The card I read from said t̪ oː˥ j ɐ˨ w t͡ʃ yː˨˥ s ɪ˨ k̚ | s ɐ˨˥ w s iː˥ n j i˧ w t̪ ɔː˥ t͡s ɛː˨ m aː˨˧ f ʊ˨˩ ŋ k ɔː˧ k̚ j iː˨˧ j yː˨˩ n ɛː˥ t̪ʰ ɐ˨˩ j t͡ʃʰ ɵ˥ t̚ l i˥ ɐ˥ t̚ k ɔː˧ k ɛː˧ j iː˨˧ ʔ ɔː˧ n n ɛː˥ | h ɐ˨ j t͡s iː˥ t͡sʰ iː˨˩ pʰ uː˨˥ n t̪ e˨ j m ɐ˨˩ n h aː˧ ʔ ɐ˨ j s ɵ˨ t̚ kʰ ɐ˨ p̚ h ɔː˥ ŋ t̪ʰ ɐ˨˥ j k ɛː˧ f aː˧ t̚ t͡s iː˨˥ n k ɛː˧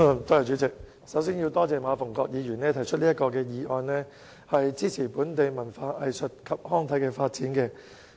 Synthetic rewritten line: t̪ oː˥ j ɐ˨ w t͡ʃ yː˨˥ t͡s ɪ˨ k̚ | s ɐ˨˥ w s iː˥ n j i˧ w t̪ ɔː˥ t͡s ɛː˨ m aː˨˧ f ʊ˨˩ ŋ k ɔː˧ k̚ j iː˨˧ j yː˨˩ n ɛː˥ t̪ʰ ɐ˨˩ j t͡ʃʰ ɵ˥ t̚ l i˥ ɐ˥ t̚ k ɔː˧ k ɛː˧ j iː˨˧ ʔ ɔː˧ n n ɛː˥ | h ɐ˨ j t͡s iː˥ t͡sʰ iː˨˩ p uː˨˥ n t̪ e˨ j m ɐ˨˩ n f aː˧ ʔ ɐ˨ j s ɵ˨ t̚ kʰ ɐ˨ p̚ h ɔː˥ ŋ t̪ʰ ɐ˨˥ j k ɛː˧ f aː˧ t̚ t͡s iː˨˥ n k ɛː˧